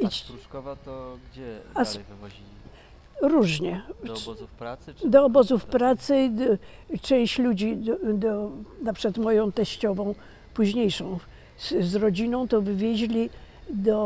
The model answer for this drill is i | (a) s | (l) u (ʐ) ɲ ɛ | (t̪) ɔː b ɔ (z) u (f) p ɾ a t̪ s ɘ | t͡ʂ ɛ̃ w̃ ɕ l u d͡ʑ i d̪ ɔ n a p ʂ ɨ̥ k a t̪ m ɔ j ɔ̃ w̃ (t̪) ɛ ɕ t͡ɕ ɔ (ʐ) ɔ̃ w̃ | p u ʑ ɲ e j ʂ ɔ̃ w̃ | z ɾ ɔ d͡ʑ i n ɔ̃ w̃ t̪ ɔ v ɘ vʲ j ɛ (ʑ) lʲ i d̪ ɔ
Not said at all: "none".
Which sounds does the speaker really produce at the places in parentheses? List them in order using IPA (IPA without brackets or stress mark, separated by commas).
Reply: a, ɾ, ʐ, d̪, z, f, t̪, v, ʑ